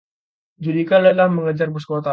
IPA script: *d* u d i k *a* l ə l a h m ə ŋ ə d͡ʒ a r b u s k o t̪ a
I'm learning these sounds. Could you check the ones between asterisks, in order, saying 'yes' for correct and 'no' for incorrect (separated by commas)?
no, yes